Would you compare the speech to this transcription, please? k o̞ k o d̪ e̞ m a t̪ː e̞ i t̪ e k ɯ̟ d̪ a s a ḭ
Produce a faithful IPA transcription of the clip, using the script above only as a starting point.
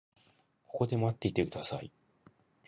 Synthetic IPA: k o̞ k o d̪ e̞ m a t̪ː e̞ i t̪ e k ɯ̟ d̪ a s a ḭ